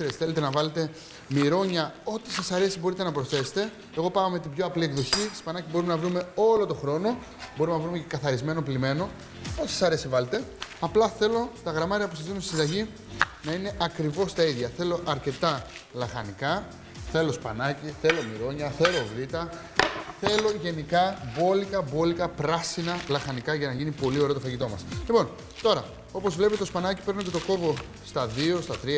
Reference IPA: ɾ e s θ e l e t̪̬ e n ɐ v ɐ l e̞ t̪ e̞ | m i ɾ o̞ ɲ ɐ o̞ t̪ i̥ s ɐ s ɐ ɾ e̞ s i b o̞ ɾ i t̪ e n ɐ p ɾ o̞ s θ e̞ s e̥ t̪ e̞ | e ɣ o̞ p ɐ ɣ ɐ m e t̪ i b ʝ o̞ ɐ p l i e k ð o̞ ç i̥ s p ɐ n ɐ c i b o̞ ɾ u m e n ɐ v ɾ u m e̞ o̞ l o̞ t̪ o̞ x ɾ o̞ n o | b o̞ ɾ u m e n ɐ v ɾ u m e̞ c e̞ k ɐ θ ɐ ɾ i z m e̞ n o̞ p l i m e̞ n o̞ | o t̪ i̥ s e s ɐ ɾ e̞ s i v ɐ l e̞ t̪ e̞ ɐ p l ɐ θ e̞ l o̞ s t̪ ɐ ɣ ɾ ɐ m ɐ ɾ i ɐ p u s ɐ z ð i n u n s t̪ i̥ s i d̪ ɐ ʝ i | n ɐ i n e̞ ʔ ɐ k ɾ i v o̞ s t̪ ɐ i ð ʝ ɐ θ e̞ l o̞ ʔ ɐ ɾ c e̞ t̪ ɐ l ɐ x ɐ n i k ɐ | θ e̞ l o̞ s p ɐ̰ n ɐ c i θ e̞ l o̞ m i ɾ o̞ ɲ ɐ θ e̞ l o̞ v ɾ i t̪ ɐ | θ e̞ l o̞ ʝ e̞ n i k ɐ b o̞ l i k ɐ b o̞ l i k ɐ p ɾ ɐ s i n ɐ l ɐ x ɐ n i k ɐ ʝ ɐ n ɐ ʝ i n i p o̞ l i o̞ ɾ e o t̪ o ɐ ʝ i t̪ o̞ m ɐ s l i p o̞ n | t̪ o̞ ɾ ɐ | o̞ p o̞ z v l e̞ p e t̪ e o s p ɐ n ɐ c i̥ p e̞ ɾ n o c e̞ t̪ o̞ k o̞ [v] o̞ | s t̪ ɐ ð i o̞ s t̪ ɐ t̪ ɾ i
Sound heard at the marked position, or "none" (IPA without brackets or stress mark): v